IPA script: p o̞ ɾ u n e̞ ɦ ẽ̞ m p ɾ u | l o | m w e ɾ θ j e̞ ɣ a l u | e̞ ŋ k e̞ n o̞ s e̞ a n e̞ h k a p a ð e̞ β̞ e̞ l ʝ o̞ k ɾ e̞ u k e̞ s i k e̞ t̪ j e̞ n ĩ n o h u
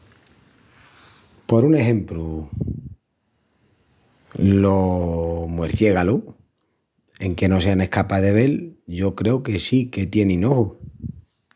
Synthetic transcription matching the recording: p o̞ ɾ u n e̞ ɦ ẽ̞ m p ɾ u | l o | m w e ɾ θ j e̞ ɣ a l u | e̞ ŋ k e̞ n o̞ s e̞ a n e̞ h k a p a ð e̞ β̞ e̞ l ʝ o̞ k ɾ e̞ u k e̞ s i k e̞ t̪ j e̞ n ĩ n o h u

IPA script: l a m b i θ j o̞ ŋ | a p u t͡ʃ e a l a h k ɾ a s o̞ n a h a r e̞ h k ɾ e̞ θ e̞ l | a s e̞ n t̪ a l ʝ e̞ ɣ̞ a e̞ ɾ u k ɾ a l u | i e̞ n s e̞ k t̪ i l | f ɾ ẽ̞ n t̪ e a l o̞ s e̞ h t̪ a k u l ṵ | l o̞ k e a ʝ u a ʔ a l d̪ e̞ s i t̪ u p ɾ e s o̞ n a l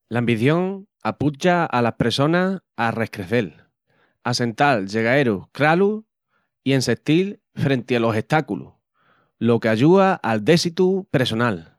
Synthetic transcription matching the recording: l a m b i θ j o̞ ŋ | a p u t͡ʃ a a l a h p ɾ e s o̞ n a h a r e̞ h k ɾ e̞ θ e̞ l | a s e̞ n t̪ a l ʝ e̞ ɣ̞ a e̞ ɾ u k ɾ a l u | i e̞ n s e̞ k t̪ i l | f ɾ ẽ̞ n t̪ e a l o̞ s e̞ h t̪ a k u l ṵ | l o̞ k e a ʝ u a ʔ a l d̪ e̞ s i t̪ u p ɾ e s o̞ n a l

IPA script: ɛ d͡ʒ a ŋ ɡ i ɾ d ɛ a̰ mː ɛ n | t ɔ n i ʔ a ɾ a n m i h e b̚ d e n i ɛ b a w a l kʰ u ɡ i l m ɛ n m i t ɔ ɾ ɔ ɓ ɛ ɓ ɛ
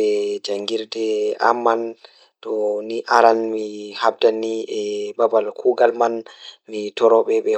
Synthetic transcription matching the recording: ɛ d͡ʒ a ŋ ɡ i ɾ d ɛ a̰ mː a n | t ɔ n i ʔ a ɾ a n m i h a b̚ d a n i ɛ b a b a l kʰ u ɡ a l m a n m i t ɔ ɾ ɔ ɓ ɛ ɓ ɛ

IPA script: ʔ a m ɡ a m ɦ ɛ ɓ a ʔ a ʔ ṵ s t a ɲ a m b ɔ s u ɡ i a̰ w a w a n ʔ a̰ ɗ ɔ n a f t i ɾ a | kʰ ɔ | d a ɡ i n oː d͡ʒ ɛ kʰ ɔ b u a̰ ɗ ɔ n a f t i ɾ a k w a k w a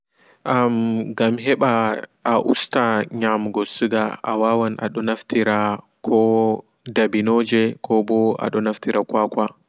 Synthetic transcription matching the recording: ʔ a m ɡ a m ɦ ɛ ɓ a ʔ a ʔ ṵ s t a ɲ a m ɡ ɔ s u ɡ a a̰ w a w a n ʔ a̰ ɗ ɔ n a f t i ɾ a | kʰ ɔ | d a b i n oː d͡ʒ ɛ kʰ ɔ b ɔ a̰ ɗ ɔ n a f t i ɾ a k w a k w a

